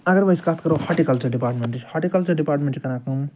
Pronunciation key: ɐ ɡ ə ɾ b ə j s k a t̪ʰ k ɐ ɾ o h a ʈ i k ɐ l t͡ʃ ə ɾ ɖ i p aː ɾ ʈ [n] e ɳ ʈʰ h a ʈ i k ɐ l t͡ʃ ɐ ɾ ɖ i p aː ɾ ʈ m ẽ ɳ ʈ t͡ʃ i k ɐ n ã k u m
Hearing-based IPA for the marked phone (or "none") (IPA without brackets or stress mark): m